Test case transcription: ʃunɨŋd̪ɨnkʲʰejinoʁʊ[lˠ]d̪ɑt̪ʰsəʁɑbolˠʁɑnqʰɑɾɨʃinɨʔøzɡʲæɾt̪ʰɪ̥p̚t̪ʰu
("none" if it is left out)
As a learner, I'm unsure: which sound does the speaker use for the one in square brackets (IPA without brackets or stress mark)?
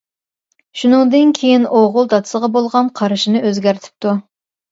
lˠ